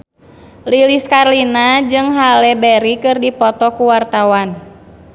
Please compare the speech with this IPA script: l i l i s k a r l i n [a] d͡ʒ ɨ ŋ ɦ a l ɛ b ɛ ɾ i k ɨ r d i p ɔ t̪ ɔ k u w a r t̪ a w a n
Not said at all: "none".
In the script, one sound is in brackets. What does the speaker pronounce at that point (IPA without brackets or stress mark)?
a